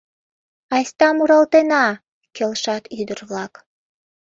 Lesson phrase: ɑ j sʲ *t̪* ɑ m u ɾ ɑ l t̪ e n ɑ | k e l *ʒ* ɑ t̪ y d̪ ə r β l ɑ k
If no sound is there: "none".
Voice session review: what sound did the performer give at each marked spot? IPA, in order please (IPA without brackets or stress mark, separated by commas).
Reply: t̪, ʃ